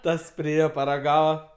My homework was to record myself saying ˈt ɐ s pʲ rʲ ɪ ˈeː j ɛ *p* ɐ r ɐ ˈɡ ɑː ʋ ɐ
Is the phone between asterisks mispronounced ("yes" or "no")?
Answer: no